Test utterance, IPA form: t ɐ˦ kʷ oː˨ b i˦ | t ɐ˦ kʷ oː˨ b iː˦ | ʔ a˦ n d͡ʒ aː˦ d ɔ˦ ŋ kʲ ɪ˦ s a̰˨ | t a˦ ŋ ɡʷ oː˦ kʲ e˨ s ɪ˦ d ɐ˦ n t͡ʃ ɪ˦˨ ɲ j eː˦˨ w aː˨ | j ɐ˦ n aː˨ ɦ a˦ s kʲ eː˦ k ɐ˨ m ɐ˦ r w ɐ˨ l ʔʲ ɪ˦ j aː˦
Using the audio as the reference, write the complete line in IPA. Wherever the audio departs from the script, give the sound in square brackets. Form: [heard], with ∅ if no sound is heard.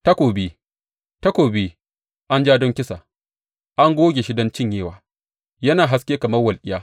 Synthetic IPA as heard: t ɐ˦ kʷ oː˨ b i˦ | t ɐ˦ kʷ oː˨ b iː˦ | ʔ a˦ n d͡ʒ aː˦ d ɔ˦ ŋ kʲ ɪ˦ s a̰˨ | [ʔ] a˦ ŋ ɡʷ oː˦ [ɡʲ] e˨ [ʃ] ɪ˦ d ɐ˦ n t͡ʃ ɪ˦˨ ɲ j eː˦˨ w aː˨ | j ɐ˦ n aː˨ ɦ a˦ s kʲ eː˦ k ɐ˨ m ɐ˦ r w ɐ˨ l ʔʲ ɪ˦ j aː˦